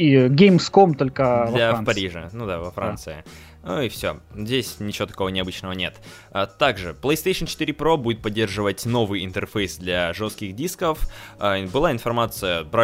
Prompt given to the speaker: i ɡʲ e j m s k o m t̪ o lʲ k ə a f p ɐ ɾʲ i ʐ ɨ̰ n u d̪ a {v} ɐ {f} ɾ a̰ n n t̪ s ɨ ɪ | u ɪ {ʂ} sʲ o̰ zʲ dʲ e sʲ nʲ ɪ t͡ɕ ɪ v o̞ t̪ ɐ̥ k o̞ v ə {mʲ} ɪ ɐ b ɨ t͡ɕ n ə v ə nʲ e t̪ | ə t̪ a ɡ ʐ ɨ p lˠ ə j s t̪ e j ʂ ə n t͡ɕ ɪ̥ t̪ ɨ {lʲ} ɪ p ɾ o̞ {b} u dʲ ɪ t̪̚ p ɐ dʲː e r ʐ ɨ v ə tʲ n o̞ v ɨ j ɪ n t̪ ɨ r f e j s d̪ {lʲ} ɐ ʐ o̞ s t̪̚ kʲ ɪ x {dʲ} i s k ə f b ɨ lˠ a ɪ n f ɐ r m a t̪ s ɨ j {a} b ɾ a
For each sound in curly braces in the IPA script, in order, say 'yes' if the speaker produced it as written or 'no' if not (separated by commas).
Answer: yes, yes, no, no, no, yes, yes, yes, no